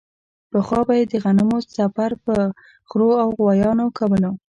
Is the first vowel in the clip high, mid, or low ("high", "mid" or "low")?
mid